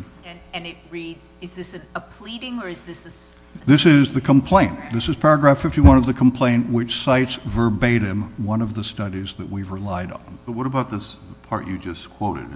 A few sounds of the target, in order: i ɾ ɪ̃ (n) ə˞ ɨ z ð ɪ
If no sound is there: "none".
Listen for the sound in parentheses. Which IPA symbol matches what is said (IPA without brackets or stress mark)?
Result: ŋ